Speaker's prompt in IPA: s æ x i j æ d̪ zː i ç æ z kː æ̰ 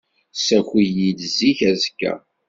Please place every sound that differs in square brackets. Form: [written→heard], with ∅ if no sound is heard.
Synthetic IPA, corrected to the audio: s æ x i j [æ→i] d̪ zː i ç æ z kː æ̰